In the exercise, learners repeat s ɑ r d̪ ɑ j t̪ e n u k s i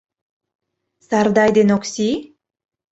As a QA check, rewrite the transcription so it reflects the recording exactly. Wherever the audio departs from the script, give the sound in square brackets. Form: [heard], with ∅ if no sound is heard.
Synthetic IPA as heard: s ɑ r d̪ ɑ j [d̪] e n [o] k s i